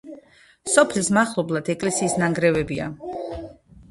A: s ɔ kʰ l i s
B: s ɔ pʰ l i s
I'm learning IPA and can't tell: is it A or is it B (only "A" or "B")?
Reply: B